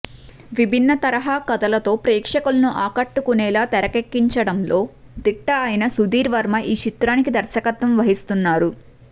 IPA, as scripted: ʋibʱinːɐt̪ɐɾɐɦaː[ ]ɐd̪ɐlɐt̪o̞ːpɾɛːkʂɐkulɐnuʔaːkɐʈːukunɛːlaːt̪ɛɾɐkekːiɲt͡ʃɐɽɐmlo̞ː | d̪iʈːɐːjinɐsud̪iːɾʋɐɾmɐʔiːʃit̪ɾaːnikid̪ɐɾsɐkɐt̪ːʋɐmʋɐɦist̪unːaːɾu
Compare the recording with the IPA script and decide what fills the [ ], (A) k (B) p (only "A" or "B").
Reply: A